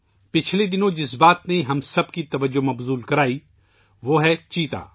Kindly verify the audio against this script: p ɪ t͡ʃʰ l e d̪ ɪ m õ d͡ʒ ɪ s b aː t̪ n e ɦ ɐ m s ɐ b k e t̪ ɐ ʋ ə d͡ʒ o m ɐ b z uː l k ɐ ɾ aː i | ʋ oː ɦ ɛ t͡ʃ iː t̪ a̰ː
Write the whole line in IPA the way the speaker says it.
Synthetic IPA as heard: p ɪ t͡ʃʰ l e d̪ ɪ n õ d͡ʒ ɪ s b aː t̪ n e ɦ ɐ m s ɐ b k i t̪ ɐ ʋ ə d͡ʒ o m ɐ b z uː l k ɐ ɾ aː i | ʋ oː ɦ ɛ t͡ʃ iː t̪ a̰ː